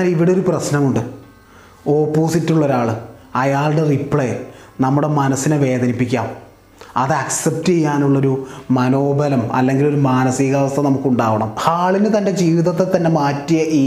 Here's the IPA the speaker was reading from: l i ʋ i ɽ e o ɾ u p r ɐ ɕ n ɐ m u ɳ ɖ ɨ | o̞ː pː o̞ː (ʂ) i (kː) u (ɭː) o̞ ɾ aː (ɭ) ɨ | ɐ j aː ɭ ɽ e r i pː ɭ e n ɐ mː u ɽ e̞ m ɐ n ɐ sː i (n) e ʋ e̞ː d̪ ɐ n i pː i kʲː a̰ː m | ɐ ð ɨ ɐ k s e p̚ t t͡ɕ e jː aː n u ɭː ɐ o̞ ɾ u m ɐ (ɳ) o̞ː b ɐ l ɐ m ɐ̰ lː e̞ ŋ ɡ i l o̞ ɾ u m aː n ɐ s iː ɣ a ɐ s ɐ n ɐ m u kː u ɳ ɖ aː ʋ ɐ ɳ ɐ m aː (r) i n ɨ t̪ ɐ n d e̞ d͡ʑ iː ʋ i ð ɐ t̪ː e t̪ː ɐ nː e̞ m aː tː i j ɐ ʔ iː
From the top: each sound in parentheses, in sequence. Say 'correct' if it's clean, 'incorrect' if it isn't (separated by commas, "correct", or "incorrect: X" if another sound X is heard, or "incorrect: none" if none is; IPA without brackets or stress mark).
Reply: incorrect: s, incorrect: tː, correct, correct, correct, incorrect: n, incorrect: ɭ